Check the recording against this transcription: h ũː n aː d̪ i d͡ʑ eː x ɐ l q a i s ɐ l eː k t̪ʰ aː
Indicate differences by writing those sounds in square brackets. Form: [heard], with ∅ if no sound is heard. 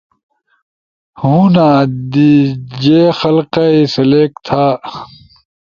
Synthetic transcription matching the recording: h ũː n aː d̪ i d͡ʑ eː x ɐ l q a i s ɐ l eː k t̪ʰ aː